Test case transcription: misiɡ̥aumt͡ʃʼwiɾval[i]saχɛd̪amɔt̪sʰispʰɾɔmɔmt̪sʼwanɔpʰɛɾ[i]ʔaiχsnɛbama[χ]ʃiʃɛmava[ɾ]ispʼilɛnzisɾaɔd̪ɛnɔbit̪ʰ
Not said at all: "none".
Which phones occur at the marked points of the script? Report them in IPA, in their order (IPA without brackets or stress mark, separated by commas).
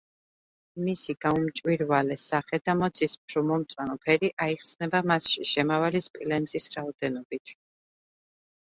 ɛ, i, s, l